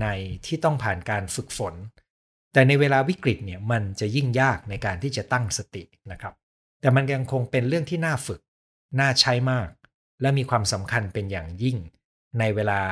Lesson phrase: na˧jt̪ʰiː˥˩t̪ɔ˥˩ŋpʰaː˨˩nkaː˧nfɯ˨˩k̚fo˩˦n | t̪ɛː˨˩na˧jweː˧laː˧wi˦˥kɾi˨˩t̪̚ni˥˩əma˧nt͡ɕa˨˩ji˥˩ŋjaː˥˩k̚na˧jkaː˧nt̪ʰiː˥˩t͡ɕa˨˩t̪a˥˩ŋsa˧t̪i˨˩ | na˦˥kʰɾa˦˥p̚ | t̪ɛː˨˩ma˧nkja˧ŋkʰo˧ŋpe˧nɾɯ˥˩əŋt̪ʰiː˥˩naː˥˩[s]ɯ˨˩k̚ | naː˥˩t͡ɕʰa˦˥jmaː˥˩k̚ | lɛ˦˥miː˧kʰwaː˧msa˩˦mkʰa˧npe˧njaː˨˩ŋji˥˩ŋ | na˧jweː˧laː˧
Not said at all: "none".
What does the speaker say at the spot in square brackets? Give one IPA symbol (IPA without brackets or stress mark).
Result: f